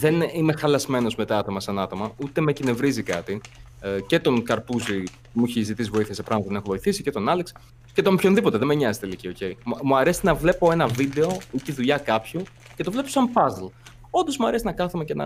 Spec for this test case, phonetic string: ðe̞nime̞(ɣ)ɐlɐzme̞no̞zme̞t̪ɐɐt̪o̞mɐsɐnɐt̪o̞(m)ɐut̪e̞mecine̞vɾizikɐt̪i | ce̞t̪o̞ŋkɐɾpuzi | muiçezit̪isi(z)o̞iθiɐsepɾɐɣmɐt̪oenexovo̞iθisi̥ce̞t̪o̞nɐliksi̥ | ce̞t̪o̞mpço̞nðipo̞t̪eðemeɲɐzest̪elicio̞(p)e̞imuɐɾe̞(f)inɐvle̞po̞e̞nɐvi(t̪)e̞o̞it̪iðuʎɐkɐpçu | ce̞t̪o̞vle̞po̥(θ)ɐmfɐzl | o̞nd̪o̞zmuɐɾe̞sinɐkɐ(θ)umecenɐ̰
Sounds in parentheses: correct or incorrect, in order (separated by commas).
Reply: incorrect, correct, incorrect, incorrect, incorrect, incorrect, incorrect, correct